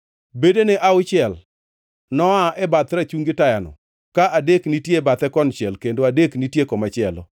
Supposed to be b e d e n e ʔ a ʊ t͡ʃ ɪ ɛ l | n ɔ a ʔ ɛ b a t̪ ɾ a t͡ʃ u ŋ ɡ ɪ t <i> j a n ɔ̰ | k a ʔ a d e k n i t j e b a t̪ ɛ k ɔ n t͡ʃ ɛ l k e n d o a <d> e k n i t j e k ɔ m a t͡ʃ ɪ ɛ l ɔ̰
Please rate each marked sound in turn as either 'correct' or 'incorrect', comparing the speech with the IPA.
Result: incorrect: a, correct

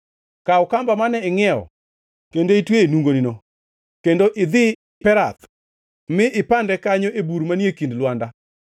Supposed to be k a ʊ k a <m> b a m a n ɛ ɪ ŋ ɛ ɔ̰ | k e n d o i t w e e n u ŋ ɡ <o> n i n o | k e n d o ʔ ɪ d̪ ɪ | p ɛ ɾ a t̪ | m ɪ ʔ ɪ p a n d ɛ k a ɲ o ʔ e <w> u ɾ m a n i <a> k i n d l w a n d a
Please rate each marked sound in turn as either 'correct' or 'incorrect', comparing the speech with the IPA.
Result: correct, correct, incorrect: b, incorrect: e

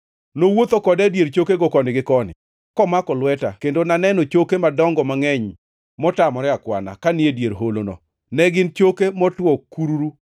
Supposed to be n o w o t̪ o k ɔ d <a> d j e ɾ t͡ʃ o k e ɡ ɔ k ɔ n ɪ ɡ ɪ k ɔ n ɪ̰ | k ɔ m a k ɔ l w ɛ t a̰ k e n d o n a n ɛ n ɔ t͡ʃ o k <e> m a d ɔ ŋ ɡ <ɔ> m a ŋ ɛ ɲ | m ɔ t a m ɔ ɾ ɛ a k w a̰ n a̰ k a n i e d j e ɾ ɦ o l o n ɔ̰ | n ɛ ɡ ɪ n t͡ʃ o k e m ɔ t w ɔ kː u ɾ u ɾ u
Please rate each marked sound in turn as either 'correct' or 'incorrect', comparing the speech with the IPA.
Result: incorrect: ɛ, correct, correct

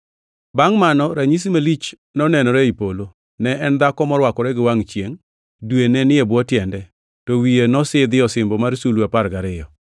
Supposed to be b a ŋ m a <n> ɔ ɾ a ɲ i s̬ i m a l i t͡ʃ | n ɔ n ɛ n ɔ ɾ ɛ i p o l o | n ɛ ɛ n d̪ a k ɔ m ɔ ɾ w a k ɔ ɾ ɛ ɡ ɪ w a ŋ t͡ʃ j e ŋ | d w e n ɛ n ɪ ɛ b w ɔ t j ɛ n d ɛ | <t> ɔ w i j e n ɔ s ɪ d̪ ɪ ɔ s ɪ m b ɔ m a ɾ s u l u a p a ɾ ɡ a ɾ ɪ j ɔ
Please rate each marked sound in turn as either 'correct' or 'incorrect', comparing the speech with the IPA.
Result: correct, correct

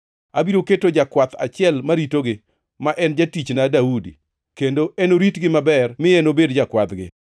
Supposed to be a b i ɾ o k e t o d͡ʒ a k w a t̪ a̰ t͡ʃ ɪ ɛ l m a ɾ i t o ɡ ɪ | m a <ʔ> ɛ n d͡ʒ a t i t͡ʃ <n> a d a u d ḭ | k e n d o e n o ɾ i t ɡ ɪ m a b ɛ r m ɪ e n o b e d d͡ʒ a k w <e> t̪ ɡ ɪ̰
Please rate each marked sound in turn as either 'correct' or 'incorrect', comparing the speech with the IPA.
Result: correct, correct, incorrect: a

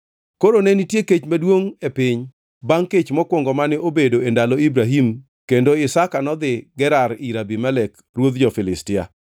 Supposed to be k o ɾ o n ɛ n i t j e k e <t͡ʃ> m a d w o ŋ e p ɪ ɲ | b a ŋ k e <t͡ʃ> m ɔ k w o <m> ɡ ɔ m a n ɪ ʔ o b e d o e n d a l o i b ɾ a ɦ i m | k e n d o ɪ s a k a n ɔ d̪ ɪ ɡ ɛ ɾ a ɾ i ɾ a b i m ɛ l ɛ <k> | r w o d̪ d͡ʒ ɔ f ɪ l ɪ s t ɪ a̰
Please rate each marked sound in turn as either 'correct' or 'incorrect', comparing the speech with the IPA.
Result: correct, correct, incorrect: ŋ, correct

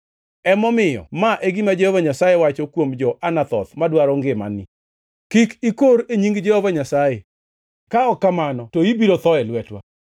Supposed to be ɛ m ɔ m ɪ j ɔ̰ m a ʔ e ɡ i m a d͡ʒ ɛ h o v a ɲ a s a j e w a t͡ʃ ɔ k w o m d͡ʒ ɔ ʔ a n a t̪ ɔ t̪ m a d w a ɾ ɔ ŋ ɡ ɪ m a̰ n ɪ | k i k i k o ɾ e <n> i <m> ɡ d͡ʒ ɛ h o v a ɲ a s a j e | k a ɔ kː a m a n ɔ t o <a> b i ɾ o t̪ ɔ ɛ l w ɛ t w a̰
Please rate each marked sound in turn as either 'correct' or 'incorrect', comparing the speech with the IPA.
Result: incorrect: ɲ, incorrect: ŋ, incorrect: i

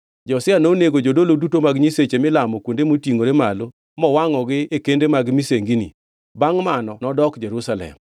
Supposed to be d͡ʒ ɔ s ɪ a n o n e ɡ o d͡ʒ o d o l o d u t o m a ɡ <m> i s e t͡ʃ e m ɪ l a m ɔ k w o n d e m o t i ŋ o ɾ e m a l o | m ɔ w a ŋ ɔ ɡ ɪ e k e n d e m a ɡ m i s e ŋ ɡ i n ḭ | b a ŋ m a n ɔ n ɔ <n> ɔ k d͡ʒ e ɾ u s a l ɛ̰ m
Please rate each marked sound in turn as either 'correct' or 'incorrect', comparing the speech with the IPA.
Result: incorrect: ɲ, incorrect: d

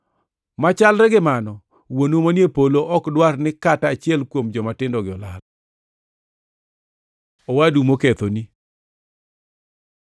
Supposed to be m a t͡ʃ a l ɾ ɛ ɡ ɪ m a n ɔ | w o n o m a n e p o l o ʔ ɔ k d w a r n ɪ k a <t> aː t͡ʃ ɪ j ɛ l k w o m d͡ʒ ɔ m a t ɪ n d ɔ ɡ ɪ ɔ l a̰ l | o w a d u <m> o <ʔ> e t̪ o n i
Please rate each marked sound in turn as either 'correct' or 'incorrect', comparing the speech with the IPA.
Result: correct, correct, incorrect: k

